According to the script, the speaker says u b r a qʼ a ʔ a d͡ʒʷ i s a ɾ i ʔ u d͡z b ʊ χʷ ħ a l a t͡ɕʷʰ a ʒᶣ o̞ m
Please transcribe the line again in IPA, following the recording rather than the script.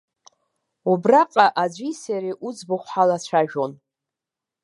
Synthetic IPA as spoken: u b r a qʼ a ʔ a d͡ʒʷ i s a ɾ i ʔ u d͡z b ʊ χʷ ħ a l a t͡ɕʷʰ a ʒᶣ o̞ n

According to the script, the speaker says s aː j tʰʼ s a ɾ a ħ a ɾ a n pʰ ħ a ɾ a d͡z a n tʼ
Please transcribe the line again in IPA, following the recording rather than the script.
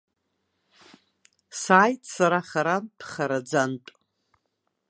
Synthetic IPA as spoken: s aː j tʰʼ s a ɾ a χ a ɾ a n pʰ χ a ɾ a d͡z a n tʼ

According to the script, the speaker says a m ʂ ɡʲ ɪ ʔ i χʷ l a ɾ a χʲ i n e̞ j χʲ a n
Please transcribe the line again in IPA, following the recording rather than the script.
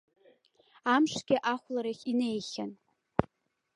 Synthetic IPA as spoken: a m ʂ ɡʲ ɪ ʔ a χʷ l a ɾ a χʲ i n e̞ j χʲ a n

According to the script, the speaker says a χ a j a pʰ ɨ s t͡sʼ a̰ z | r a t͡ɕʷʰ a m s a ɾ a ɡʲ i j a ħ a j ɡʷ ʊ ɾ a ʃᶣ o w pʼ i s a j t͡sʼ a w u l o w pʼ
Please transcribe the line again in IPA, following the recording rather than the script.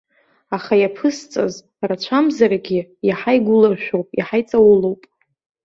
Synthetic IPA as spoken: a χ a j a pʰ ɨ s t͡sʼ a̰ z | r a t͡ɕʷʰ a m z a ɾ a ɡʲ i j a ħ a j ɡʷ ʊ l a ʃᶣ o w pʼ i ħ a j t͡sʼ a w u l o w pʼ

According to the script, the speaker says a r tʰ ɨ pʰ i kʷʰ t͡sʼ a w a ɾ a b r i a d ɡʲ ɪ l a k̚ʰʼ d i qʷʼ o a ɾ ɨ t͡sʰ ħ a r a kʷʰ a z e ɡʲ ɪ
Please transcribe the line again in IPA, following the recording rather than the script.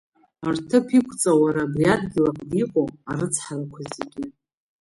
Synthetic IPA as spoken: a r tʰ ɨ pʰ i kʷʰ t͡sʼ a w a ɾ a b r i a d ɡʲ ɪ l a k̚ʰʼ d i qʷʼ o a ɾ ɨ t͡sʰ ħ a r a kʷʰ a z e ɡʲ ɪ

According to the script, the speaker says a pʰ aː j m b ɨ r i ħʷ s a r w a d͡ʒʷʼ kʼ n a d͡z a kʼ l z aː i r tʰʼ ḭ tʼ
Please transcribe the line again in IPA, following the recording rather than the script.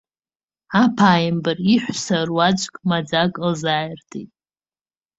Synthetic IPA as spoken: a pʰ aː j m b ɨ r i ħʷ s a r w a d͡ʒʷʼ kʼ m a d͡z a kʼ l z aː j r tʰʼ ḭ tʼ

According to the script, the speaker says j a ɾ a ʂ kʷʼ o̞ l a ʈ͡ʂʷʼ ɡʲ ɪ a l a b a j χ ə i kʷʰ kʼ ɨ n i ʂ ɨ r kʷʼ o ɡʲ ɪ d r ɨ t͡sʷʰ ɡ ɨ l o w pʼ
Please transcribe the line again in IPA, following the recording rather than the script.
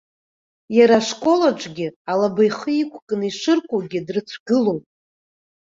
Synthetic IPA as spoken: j a ɾ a ʂ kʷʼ o̞ l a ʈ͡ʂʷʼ ɡʲ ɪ a l a b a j χ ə i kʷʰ kʼ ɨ n i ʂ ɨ r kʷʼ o ɡʲ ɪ d r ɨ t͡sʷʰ ɡ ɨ l o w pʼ

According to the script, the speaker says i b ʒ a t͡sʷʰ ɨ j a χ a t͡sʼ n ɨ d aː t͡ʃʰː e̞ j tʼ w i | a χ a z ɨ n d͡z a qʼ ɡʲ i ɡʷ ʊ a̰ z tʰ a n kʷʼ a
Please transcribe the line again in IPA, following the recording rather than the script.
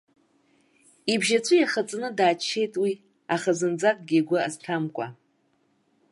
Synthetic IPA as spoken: i b ʒ a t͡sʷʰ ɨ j a χ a t͡sʼ n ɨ d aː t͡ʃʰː e̞ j tʼ w i | a χ a z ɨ n d͡z a kʼ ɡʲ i ɡʷ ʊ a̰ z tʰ a m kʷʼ a

